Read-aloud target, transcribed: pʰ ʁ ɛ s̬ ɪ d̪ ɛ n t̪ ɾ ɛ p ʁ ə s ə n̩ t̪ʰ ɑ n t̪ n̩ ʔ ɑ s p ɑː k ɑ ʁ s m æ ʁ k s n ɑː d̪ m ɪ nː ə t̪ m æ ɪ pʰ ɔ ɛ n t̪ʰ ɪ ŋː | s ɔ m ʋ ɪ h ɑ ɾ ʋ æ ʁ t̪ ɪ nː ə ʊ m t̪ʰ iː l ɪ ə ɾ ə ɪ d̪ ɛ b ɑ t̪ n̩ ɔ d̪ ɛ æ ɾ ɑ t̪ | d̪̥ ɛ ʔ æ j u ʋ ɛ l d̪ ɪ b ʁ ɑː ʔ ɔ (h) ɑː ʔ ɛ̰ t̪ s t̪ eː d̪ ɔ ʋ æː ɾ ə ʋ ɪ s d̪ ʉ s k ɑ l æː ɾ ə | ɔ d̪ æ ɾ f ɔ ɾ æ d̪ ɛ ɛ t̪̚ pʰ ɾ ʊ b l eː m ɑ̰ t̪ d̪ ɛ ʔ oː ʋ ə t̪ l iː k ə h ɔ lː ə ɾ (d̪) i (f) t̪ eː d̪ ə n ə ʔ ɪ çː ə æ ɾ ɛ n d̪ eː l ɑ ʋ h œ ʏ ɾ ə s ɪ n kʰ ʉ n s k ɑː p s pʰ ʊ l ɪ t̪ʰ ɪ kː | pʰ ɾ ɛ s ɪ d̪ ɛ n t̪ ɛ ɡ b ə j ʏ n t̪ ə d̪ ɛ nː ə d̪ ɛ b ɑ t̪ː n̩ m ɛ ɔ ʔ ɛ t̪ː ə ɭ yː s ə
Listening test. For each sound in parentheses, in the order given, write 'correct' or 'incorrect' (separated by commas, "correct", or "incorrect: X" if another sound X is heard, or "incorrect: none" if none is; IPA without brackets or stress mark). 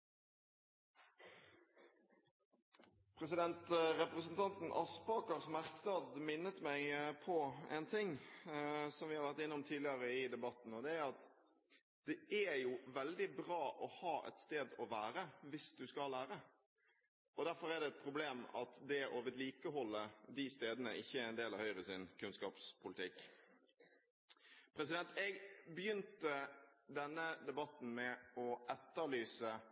correct, correct, incorrect: s